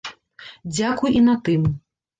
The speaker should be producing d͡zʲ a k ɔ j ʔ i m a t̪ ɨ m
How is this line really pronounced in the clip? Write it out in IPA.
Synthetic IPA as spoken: d͡zʲ a k u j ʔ i n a t̪ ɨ m

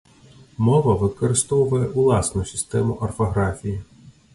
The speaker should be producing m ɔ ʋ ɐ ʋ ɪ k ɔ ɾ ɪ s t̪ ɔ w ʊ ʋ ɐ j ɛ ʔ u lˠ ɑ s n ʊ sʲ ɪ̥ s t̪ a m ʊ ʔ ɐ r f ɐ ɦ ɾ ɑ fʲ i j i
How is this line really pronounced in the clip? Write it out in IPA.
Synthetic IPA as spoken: m ɔ ʋ ɐ ʋ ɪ k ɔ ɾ ɪ s t̪ ɔ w ʊ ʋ ɐ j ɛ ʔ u lˠ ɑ s n ʊ sʲ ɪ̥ s t̪ ɛ m ʊ ʔ ɐ r f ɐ ɦ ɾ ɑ fʲ i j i

